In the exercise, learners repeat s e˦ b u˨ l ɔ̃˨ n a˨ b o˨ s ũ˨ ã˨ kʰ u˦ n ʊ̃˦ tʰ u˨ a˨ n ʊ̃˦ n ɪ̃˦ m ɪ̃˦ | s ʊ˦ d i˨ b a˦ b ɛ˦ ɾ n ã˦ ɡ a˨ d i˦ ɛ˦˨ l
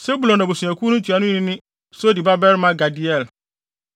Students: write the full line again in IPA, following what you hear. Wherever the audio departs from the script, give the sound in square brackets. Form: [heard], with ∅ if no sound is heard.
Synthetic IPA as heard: s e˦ b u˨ l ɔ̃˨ n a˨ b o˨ s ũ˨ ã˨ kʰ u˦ n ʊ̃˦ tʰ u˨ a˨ n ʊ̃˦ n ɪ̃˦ [n] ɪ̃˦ | s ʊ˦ d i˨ b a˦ b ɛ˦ ɾ [m] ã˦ ɡ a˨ d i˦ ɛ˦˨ l

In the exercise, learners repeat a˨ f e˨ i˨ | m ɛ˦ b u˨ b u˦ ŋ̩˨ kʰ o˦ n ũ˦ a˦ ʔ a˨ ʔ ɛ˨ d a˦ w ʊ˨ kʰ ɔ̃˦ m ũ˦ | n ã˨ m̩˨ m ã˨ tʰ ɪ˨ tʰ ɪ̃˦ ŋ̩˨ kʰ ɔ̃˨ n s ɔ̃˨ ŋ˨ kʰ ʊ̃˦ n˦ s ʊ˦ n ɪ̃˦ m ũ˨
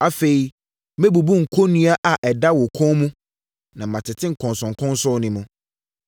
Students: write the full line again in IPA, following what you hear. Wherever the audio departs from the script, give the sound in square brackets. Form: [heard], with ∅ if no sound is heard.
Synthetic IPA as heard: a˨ f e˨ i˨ | m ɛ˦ b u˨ b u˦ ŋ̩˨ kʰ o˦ n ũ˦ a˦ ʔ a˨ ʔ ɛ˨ d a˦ w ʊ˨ kʰ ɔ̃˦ m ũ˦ | n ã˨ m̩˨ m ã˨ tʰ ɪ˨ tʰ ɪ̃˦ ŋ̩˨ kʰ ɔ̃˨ n s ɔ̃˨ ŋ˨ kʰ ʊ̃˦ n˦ s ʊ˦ n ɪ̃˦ m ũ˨

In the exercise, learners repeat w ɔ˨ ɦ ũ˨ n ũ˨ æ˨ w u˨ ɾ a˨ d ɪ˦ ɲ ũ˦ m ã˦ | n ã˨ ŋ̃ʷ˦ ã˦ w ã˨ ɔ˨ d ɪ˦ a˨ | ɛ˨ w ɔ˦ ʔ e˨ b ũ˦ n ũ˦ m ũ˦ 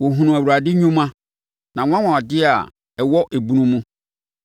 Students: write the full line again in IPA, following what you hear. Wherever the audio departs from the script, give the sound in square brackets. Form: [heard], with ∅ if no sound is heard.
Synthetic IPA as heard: w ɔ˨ ɦ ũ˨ n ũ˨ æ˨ w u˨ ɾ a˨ d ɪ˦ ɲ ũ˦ m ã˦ | n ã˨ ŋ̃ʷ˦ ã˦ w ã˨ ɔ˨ d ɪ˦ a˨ | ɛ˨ w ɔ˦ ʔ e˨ b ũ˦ n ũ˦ m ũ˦

